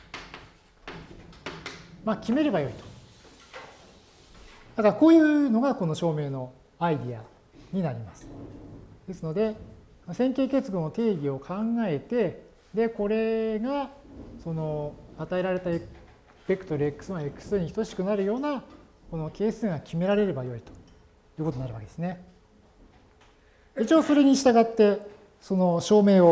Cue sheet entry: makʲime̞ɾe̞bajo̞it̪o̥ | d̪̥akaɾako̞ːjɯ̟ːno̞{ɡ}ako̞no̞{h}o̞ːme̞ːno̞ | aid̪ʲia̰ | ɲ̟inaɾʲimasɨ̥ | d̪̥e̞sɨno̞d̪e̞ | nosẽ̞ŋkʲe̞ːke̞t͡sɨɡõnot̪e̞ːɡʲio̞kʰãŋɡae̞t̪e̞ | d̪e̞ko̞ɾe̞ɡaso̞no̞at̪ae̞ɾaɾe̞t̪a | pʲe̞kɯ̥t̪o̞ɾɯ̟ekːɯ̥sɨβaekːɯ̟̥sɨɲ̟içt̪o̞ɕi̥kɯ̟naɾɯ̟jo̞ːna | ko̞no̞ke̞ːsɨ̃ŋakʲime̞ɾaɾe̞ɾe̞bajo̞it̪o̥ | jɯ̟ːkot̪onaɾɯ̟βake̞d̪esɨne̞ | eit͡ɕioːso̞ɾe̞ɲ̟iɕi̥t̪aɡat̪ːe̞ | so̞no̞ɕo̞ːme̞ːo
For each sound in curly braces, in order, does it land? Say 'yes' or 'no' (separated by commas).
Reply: yes, no